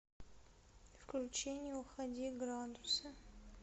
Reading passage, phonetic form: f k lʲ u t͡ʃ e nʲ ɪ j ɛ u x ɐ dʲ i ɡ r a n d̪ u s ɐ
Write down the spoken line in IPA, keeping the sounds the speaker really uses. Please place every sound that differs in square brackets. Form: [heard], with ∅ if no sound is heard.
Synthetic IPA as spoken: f k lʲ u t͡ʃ e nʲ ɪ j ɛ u x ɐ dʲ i ɡ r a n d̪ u s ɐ

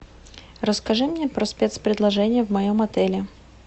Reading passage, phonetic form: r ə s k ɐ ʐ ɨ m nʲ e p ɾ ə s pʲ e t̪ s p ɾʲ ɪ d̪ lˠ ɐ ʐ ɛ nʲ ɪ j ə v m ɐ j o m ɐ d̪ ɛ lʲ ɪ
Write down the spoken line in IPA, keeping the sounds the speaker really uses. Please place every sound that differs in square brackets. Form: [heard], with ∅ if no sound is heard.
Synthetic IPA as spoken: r ə s k ɐ ʐ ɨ m nʲ e p ɾ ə s pʲ e t̪ s p ɾʲ ɪ d̪ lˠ ɐ ʐ ɛ nʲ ɪ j ə v m ɐ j o m ɐ [t̪] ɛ lʲ ɪ

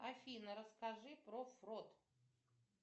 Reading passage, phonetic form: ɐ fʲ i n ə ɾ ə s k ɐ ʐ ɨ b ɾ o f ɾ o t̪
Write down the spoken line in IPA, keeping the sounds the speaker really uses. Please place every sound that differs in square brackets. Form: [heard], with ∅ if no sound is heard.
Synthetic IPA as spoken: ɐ fʲ i n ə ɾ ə s k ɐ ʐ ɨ [p] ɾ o f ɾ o t̪

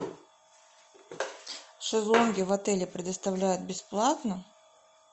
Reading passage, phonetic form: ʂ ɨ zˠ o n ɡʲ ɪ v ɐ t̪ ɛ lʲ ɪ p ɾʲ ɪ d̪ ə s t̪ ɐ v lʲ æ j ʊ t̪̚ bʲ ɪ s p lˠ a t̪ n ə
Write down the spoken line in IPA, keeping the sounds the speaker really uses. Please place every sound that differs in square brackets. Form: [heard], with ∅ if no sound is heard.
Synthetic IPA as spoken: ʂ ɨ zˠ o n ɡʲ ɪ v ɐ t̪ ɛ lʲ ɪ p ɾʲ ɪ d̪ ə s t̪ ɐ v lʲ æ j ʊ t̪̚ bʲ ɪ s p lˠ a t̪ n ə

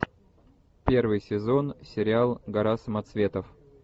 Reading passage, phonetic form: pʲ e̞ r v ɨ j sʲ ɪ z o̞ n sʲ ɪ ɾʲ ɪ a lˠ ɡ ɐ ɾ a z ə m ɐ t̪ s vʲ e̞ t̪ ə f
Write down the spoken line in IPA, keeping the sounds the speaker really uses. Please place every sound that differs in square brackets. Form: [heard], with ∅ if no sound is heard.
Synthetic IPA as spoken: pʲ e̞ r v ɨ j sʲ ɪ z o̞ n sʲ ɪ ɾʲ ɪ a lˠ ɡ ɐ ɾ a [s] ə m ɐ t̪ s vʲ e̞ t̪ ə f

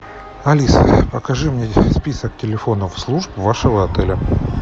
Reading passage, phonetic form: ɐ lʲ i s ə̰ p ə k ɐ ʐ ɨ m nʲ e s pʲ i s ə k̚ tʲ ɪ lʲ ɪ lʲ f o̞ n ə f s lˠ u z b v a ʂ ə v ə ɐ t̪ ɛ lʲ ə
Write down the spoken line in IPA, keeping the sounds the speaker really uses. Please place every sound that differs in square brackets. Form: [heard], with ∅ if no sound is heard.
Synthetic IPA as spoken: ɐ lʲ i s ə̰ p ə k ɐ ʐ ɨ m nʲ e s pʲ i s ə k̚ tʲ ɪ lʲ ɪ [∅] f o̞ n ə f s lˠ u [ʐ] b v a ʂ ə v ə ɐ t̪ ɛ lʲ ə

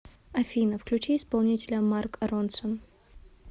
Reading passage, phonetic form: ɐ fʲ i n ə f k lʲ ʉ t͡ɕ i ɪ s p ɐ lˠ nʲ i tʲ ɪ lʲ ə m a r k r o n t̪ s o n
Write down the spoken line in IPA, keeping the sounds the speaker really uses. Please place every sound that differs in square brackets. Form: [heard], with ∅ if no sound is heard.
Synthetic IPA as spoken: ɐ fʲ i n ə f k lʲ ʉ t͡ɕ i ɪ s p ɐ lˠ nʲ i tʲ ɪ lʲ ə m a r k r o n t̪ s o n

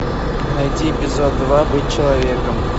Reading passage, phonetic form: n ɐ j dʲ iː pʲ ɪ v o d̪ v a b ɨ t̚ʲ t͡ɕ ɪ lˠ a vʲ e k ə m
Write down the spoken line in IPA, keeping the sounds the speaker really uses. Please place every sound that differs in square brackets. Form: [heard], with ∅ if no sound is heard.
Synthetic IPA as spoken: n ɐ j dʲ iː pʲ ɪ [z] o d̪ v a b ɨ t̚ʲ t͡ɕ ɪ lˠ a vʲ e k ə m

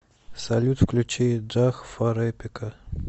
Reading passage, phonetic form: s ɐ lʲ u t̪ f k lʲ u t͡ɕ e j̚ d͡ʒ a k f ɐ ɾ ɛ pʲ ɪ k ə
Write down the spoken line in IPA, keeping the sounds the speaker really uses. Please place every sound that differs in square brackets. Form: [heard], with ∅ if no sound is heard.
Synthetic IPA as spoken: s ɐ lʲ u t̪ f k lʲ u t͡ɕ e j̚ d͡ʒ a [x] f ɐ ɾ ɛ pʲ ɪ k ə

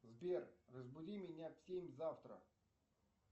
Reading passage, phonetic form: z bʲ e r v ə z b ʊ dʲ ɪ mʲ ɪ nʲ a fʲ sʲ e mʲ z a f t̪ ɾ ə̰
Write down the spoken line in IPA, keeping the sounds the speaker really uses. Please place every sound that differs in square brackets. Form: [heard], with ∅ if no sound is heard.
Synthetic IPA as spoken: z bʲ e r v ə z b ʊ dʲ [i] mʲ ɪ nʲ a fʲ sʲ e mʲ z a f t̪ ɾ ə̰

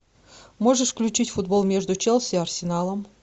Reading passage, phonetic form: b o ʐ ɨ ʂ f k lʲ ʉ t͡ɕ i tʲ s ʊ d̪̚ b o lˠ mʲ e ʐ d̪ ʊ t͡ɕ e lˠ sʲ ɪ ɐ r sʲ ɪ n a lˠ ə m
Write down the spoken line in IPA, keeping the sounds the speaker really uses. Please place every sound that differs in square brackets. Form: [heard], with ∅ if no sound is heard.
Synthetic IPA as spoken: [m] o ʐ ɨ ʂ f k lʲ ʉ t͡ɕ i tʲ [f] ʊ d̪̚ b o lˠ mʲ e ʐ d̪ ʊ t͡ɕ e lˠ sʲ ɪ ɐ r sʲ ɪ n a lˠ ə m

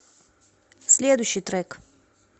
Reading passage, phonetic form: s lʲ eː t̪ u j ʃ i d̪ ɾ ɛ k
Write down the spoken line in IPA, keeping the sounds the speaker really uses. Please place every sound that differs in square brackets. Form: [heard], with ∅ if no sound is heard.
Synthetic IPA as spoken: s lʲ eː [d̪] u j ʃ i [t̪] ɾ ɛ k

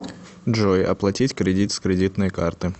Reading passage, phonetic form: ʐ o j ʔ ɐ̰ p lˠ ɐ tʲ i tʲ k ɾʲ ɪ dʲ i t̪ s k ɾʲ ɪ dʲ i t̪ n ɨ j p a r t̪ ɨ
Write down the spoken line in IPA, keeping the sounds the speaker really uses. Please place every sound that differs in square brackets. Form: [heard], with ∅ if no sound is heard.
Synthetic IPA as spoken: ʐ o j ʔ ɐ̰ p lˠ ɐ tʲ i tʲ k ɾʲ ɪ dʲ i t̪ s k ɾʲ ɪ dʲ i t̪ n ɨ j [k] a r t̪ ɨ

